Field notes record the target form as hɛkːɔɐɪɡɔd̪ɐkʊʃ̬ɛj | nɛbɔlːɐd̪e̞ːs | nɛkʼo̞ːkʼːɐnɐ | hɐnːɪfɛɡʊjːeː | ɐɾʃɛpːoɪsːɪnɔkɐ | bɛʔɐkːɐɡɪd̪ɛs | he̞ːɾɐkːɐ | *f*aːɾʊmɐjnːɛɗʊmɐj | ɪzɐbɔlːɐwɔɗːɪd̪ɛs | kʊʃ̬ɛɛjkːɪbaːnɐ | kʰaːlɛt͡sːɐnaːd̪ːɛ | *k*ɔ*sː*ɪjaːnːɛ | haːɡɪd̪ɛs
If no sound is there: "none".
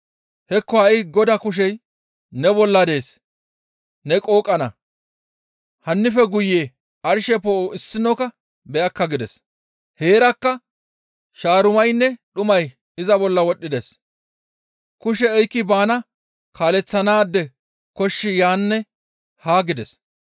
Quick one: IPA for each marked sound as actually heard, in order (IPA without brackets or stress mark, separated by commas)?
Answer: ʃ, k, ʃː